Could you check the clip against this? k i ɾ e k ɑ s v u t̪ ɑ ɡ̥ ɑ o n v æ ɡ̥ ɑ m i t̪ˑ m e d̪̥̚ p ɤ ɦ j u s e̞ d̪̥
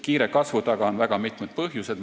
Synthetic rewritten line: k iː ɾ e k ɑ s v u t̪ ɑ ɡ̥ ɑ o n v æ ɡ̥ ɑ m i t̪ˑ m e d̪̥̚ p ɤ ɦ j u s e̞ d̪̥